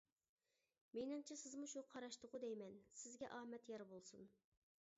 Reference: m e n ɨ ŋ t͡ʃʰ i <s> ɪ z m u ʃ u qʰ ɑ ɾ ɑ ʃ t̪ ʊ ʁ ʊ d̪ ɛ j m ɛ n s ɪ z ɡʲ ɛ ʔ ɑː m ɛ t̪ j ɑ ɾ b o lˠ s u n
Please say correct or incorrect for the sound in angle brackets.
correct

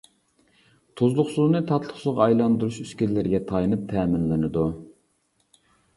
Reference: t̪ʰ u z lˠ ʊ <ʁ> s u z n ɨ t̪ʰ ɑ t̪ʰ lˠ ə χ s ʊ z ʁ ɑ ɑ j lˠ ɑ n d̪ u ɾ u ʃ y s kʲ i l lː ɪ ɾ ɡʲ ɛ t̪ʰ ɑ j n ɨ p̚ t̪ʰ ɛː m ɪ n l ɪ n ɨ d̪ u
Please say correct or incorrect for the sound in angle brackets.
incorrect: χ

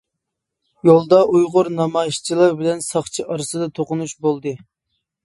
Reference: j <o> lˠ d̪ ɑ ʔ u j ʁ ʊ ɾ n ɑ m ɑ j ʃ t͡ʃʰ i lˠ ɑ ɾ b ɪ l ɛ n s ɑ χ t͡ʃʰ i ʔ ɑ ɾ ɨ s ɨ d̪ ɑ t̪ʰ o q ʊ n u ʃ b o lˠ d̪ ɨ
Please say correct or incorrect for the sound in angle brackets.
correct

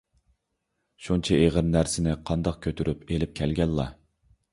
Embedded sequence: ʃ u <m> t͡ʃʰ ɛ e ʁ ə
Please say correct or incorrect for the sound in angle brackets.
incorrect: n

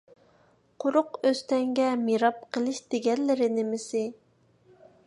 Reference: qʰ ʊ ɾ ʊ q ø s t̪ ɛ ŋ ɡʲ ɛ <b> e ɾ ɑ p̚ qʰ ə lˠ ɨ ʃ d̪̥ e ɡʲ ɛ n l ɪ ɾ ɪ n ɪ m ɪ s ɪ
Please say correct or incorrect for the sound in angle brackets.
incorrect: m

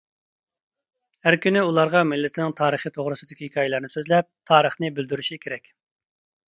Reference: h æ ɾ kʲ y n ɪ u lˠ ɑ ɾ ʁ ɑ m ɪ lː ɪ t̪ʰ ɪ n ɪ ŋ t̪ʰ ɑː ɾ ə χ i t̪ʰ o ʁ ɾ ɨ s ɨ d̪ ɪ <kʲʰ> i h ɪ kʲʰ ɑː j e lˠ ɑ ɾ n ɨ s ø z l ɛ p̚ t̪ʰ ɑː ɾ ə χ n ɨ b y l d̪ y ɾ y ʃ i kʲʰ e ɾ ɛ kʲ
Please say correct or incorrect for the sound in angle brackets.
incorrect: kʲ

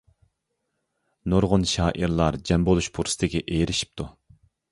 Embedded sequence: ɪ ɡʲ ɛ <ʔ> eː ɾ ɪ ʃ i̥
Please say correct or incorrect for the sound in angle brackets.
correct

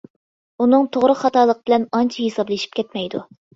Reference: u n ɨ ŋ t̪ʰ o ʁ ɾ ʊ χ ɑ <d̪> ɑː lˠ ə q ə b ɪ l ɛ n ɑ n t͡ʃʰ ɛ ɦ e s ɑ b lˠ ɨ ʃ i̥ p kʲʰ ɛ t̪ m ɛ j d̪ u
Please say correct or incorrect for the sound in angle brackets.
incorrect: t̪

